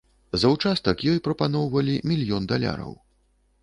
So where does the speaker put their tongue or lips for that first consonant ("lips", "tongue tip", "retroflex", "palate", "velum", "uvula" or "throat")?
tongue tip